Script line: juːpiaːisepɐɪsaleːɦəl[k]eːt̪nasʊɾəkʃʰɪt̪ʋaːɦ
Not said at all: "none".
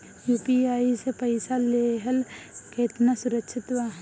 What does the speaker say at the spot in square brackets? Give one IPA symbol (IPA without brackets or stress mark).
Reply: k